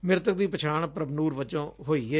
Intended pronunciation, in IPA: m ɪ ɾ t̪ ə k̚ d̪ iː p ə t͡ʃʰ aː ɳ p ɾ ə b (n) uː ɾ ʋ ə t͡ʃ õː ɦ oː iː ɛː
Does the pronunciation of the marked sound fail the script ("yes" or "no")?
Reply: no